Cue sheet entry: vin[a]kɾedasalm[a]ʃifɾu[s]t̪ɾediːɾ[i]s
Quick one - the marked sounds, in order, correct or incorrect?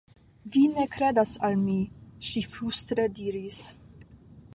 incorrect, incorrect, correct, correct

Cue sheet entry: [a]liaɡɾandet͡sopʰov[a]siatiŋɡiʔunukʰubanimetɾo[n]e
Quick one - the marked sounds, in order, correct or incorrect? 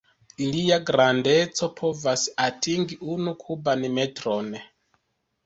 incorrect, correct, correct

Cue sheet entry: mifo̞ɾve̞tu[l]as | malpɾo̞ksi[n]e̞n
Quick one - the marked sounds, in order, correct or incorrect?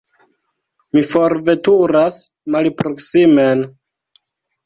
incorrect, incorrect

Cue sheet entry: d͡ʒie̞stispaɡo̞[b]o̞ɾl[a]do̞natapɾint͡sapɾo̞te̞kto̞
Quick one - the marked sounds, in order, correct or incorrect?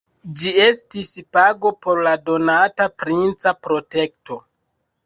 incorrect, correct

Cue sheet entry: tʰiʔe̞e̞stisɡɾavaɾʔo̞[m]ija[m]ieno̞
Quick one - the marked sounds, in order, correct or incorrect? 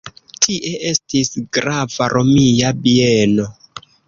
correct, incorrect

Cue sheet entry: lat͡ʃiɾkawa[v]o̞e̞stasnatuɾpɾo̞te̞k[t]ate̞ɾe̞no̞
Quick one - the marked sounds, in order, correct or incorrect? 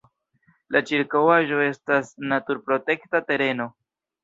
incorrect, correct

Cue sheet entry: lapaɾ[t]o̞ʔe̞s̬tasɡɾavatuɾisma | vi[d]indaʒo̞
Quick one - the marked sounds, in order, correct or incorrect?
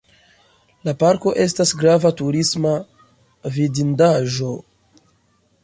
incorrect, correct

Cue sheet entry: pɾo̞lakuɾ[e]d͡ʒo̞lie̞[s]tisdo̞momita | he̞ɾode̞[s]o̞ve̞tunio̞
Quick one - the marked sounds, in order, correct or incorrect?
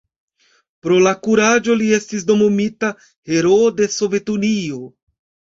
incorrect, correct, correct

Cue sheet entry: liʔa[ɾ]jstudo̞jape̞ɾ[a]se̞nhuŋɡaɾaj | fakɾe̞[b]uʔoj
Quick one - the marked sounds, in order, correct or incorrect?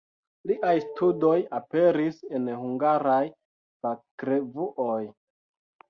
incorrect, incorrect, incorrect

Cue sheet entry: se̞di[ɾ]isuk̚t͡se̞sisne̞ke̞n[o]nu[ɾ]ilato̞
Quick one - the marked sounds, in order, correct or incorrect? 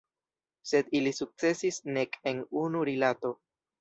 incorrect, incorrect, correct

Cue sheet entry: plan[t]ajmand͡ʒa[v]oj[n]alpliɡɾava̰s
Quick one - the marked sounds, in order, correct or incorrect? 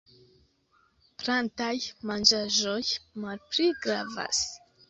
correct, incorrect, incorrect

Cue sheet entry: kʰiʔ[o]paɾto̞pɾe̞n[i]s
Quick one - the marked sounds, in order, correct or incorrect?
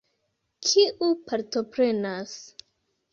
incorrect, incorrect

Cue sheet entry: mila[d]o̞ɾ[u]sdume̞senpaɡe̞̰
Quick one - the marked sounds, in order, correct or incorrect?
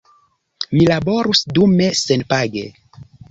incorrect, correct

